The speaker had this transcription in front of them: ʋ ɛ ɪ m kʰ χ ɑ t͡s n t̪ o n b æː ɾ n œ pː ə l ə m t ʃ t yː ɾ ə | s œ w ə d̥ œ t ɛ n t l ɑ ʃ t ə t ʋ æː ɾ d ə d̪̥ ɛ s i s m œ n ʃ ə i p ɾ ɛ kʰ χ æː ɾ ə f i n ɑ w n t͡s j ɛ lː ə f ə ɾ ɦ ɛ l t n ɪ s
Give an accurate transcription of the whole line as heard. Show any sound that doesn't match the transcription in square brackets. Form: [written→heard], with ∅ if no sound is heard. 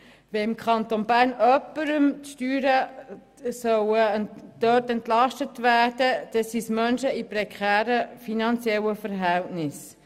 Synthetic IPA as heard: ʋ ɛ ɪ m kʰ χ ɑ [t͡s→∅] n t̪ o n b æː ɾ n œ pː ə [l→ɾ] ə m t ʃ t yː ɾ ə | s œ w ə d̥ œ t ɛ n t l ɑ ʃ t ə t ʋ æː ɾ d ə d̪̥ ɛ s i s m œ n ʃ ə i p ɾ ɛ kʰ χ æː ɾ ə f i n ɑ [w→∅] n t͡s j ɛ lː ə f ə ɾ ɦ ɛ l t n ɪ s